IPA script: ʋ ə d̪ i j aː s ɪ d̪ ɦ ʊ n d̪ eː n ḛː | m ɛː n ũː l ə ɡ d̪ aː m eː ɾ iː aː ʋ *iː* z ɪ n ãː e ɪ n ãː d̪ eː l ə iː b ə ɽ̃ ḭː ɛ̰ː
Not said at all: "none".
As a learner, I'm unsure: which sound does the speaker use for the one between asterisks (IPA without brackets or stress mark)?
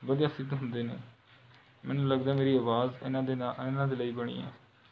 aː